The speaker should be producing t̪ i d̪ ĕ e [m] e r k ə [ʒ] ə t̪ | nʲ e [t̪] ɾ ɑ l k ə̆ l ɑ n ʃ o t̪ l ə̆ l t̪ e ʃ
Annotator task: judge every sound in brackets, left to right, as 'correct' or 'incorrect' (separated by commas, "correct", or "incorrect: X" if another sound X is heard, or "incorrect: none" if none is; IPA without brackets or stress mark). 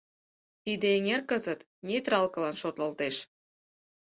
incorrect: ŋ, incorrect: z, correct